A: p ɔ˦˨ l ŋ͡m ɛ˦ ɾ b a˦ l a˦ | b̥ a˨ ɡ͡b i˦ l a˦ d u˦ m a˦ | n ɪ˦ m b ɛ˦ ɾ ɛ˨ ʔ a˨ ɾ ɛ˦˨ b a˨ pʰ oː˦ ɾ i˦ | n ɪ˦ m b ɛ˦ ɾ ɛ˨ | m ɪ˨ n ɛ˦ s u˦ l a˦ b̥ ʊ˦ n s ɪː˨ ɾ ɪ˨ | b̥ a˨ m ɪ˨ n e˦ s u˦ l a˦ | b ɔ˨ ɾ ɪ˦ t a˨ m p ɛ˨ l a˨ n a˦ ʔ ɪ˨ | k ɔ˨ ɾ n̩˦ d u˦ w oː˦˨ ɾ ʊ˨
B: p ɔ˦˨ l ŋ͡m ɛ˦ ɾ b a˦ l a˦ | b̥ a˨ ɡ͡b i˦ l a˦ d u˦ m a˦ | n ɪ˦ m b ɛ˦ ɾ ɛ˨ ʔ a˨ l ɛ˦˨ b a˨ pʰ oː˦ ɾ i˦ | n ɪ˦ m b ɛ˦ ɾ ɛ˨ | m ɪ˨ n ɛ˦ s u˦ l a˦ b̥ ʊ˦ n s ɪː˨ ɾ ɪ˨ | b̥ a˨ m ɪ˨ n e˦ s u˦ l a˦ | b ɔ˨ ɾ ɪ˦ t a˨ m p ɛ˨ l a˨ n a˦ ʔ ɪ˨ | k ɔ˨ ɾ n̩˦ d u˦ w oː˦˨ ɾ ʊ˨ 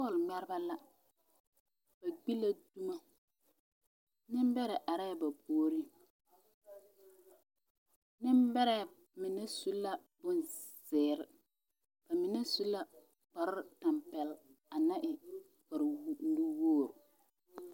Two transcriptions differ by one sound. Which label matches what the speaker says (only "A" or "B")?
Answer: A